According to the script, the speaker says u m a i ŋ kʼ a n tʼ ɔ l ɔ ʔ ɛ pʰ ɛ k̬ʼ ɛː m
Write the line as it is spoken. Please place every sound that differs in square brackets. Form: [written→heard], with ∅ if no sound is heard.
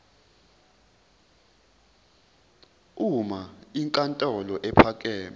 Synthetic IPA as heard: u m a i ŋ kʼ a n tʼ ɔ l ɔ ʔ ɛ pʰ [ɛ→a] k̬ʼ ɛː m